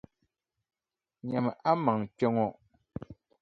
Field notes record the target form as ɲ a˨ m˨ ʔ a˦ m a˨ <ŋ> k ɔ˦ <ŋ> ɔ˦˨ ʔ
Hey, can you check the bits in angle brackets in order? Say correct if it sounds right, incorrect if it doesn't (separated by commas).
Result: correct, correct